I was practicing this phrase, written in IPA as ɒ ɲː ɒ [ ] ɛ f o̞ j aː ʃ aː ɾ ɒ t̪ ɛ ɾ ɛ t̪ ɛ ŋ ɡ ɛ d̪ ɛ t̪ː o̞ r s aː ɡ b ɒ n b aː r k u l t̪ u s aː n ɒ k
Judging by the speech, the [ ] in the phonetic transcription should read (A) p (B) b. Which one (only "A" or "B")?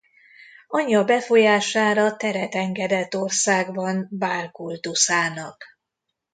B